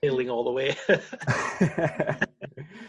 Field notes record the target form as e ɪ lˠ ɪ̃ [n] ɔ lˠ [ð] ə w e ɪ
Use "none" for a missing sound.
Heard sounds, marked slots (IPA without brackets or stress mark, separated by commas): ŋ, ð